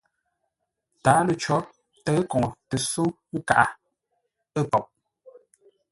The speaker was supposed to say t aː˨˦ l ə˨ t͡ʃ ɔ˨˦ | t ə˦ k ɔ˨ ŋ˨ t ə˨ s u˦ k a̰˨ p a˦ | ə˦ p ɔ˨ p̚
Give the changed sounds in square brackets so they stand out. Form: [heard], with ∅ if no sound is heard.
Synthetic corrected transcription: t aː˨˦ l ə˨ t͡ʃ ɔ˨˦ | t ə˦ k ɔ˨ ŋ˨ t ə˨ s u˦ k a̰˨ [ʔ] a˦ | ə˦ p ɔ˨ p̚